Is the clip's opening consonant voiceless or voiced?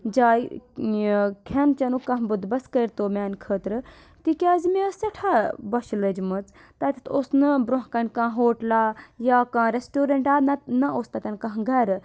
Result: voiced